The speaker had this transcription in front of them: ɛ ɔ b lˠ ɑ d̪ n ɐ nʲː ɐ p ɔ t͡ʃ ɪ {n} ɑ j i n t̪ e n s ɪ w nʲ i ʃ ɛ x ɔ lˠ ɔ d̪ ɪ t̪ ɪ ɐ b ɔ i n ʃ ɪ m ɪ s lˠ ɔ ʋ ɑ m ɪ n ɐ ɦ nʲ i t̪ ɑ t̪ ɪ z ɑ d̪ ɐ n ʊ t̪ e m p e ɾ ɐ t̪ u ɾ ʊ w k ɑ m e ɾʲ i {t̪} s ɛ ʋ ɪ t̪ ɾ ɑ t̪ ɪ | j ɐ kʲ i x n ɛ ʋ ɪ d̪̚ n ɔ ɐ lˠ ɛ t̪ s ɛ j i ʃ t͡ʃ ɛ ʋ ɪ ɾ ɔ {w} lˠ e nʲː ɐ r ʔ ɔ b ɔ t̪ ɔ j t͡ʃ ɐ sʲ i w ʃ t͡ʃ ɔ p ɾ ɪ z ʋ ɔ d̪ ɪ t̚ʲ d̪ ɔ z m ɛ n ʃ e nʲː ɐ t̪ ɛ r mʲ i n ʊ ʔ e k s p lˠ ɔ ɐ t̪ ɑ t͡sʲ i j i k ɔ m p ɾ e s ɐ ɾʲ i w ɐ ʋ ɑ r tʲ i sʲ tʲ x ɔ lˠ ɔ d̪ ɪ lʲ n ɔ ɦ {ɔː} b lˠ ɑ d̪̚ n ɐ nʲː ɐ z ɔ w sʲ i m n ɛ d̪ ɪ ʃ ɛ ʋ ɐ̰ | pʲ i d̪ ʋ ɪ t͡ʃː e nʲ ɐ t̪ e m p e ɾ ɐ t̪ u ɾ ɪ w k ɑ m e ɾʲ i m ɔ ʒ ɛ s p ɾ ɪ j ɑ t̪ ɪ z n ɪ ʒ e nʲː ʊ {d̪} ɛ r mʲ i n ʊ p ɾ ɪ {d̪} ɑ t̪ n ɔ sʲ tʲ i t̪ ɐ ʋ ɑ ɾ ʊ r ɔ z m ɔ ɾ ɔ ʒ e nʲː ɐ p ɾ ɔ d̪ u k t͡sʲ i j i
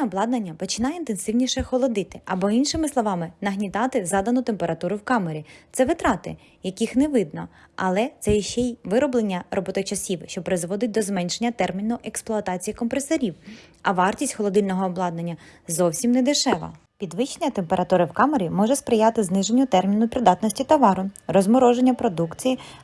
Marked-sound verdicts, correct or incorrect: correct, correct, incorrect, correct, incorrect, correct

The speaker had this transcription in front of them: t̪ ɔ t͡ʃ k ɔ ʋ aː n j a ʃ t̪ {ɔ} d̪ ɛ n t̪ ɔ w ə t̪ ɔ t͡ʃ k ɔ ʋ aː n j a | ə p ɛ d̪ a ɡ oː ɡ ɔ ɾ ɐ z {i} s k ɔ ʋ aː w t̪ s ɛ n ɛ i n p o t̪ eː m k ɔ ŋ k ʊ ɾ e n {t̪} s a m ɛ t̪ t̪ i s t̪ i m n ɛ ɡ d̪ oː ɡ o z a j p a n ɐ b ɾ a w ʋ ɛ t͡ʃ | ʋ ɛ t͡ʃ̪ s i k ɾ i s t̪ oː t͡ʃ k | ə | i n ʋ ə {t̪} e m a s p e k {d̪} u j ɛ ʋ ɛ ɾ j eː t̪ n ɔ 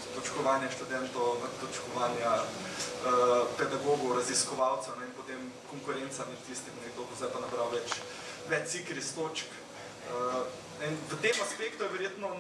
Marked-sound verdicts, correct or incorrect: incorrect, correct, correct, correct, incorrect

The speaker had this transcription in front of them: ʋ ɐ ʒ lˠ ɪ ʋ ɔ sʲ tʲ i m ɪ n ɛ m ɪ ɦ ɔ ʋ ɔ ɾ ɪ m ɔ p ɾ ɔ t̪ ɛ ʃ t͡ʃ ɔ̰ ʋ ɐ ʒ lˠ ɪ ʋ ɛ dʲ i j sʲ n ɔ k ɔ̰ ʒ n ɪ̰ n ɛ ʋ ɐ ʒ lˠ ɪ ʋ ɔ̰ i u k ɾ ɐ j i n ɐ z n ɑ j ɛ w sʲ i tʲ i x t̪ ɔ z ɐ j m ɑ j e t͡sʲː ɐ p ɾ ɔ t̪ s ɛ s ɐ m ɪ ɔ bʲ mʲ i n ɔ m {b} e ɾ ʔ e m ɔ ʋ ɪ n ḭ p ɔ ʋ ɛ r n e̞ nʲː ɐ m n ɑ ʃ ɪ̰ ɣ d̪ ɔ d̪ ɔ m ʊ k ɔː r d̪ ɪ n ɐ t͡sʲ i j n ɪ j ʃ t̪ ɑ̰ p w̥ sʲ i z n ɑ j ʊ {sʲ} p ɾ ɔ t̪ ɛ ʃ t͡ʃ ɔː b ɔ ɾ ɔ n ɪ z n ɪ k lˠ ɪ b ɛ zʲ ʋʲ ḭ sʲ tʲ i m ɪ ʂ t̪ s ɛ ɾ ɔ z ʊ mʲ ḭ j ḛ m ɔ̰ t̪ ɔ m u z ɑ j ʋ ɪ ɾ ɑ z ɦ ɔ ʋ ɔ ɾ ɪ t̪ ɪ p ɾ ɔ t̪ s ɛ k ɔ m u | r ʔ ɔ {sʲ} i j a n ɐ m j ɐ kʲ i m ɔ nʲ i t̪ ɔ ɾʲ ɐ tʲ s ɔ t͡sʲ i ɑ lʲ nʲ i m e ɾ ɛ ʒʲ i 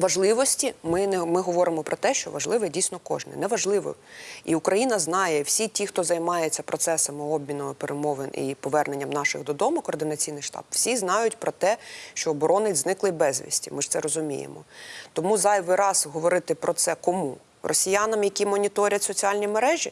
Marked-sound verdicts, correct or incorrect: incorrect, incorrect, correct

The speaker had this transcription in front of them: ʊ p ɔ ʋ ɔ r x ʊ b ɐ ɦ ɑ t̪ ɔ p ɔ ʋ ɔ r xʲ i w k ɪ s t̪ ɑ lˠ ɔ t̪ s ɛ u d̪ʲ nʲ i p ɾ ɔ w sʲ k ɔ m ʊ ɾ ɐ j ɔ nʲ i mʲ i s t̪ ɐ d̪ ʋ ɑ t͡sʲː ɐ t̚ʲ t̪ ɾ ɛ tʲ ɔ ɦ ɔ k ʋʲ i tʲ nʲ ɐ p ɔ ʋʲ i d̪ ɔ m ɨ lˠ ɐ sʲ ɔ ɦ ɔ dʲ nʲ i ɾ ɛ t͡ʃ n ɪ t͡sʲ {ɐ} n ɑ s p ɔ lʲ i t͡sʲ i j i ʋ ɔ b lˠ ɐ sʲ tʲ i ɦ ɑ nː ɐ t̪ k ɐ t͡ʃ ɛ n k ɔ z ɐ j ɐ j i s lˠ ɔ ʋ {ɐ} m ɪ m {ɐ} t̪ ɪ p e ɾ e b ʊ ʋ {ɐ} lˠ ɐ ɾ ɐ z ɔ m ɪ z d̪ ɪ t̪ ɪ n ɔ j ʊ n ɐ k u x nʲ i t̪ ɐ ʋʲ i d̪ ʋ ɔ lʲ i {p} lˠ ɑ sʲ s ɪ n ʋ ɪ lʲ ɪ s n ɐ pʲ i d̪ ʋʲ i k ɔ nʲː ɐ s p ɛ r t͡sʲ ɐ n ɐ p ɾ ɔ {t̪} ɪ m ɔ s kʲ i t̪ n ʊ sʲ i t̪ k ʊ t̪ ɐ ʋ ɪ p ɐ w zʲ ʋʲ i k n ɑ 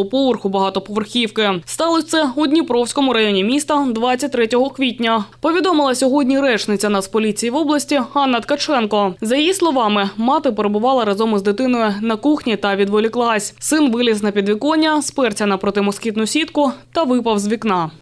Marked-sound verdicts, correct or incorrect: correct, incorrect, incorrect, incorrect, incorrect, correct

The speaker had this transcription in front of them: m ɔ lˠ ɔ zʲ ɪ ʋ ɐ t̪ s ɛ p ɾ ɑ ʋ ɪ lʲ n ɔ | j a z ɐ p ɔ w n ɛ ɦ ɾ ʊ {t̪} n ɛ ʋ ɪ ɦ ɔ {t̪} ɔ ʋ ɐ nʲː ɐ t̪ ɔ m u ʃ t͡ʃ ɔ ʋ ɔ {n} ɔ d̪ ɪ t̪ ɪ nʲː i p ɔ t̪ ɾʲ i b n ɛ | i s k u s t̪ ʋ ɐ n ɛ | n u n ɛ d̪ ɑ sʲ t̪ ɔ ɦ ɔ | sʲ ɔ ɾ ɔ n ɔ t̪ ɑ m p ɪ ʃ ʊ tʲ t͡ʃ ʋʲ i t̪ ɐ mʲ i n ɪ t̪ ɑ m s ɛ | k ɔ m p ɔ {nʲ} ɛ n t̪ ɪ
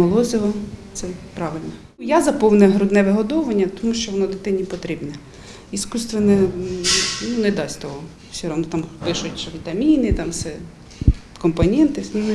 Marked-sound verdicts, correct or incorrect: incorrect, incorrect, correct, correct

